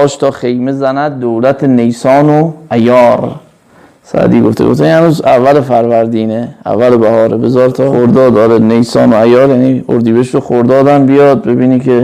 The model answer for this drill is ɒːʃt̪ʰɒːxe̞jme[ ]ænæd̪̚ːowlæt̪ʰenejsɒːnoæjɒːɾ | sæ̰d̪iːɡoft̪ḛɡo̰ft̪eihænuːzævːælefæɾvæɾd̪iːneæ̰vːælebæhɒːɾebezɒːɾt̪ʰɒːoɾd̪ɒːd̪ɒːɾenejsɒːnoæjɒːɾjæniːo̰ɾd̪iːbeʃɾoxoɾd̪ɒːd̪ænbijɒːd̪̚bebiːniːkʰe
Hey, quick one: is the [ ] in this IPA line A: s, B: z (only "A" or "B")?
B